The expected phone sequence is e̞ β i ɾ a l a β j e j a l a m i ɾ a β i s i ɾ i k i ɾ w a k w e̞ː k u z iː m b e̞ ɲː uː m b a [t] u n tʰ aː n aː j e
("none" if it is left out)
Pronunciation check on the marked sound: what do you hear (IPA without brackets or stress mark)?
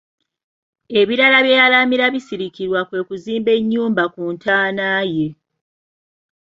k